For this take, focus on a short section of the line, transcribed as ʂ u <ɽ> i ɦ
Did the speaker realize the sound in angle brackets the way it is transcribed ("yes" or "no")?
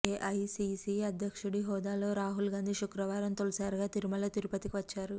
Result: yes